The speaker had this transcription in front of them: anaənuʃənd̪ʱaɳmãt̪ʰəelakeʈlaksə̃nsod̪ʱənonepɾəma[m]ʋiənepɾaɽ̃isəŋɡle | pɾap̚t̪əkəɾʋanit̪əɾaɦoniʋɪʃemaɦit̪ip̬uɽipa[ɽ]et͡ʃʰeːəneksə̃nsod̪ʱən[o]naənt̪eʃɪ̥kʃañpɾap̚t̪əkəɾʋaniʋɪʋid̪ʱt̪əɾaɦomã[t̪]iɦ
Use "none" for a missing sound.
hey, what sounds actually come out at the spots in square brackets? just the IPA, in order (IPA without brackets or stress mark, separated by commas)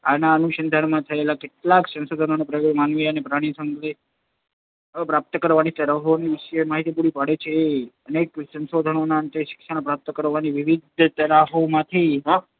n, ɽ, o, t̪ʰ